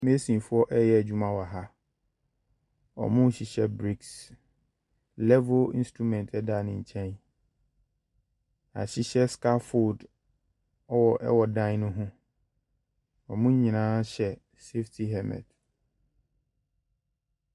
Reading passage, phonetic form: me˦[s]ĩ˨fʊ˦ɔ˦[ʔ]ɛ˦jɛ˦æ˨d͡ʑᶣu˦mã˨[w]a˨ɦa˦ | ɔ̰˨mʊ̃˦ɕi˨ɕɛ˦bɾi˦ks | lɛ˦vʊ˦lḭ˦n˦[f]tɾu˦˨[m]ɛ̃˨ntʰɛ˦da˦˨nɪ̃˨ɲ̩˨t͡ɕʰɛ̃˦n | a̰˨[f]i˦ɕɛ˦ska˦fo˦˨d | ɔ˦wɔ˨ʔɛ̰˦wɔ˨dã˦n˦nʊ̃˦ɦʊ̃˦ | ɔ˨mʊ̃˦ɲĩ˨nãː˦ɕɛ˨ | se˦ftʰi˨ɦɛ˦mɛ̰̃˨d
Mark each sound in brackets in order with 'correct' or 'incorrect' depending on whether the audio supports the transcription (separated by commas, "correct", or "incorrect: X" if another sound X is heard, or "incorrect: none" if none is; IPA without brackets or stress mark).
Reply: correct, correct, correct, incorrect: s, correct, incorrect: ɕ